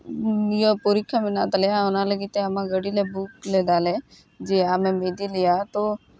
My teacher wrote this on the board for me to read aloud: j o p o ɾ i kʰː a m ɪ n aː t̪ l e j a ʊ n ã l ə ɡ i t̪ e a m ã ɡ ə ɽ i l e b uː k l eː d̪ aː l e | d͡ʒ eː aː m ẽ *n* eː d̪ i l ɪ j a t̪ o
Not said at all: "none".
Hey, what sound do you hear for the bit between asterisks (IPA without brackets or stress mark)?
m